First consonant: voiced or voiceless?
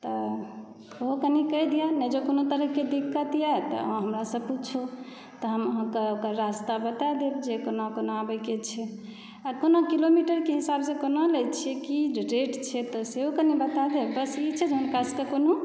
voiceless